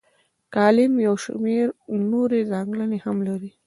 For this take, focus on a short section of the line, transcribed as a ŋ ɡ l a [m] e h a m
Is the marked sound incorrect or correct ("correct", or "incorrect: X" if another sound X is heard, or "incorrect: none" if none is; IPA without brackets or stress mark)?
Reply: incorrect: n